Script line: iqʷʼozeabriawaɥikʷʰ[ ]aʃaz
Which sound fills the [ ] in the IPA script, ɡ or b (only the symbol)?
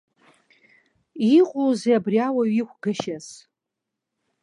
ɡ